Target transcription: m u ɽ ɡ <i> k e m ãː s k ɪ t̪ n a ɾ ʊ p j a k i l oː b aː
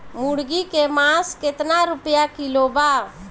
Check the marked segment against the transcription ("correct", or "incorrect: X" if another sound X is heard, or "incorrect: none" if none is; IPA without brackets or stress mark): correct